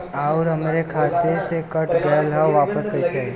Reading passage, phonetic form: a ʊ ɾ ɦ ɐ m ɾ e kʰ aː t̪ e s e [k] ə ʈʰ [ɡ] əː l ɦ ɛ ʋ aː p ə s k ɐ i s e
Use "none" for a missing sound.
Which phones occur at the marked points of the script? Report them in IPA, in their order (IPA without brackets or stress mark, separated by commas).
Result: k, ɡ